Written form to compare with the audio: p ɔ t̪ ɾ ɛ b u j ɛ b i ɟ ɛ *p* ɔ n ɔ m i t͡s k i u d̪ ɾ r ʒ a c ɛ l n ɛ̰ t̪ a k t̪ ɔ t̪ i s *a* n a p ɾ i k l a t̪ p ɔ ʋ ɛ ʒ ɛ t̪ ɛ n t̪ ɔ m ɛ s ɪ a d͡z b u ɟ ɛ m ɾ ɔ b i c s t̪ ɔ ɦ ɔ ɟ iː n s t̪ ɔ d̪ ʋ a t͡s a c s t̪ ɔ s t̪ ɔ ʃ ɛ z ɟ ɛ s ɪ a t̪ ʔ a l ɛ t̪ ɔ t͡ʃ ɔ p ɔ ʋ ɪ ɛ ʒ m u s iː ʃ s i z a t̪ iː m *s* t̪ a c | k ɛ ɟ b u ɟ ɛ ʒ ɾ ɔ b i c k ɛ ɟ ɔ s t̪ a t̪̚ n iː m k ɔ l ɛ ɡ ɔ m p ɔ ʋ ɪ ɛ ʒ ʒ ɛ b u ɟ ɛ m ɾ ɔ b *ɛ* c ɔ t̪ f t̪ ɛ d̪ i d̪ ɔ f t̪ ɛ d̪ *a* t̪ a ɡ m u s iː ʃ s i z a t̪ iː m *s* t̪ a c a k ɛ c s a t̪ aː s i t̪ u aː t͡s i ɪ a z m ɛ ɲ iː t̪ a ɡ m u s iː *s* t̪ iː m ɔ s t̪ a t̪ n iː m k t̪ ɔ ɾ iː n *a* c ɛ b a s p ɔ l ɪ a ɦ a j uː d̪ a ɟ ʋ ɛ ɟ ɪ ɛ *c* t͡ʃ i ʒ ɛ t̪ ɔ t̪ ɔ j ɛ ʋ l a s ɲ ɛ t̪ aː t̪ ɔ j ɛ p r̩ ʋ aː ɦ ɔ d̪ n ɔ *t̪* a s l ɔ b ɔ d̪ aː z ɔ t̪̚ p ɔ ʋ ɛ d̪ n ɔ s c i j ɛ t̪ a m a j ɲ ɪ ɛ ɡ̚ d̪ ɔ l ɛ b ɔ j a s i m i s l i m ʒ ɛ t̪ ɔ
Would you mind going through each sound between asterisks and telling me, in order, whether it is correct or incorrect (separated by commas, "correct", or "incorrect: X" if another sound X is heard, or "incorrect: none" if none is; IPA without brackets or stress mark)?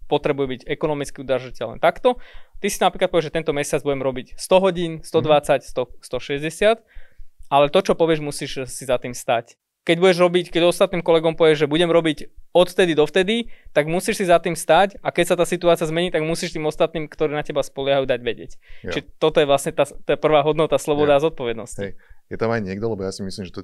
incorrect: k, incorrect: i, correct, incorrect: i, incorrect: i, correct, incorrect: ʃ, correct, correct, correct